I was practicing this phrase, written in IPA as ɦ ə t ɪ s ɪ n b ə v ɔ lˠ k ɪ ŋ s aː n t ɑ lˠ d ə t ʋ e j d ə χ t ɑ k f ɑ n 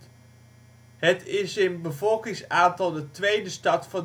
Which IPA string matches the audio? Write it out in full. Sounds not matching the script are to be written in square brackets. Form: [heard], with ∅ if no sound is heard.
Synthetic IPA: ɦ ə t ɪ s ɪ n b ə v ɔ lˠ k ɪ ŋ s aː n t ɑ lˠ d ə t ʋ e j d ə [s] t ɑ [t] f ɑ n

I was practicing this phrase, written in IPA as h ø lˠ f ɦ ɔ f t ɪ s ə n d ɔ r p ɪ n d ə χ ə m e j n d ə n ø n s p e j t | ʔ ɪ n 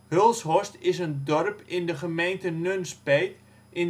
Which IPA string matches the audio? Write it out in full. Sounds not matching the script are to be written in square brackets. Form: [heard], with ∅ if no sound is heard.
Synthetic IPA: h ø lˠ [s] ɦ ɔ [s] t ɪ s ə n d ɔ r p ɪ n d ə χ ə m e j n [t] ə n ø n s p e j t | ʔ ɪ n

